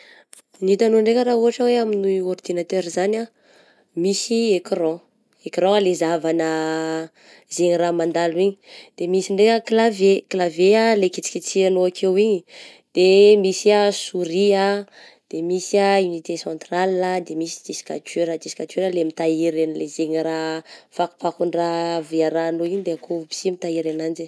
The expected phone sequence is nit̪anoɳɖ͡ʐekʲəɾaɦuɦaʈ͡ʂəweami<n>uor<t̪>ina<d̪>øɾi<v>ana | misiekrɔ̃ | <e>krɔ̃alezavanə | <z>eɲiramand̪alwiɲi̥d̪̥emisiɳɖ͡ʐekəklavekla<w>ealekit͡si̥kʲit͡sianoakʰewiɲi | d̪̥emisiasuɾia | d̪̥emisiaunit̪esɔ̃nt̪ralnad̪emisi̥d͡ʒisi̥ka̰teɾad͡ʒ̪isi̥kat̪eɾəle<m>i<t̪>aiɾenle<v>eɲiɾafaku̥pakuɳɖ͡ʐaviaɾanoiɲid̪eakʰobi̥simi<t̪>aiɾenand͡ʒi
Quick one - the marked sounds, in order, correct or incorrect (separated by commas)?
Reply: correct, incorrect, incorrect, incorrect, correct, correct, incorrect, correct, correct, incorrect, correct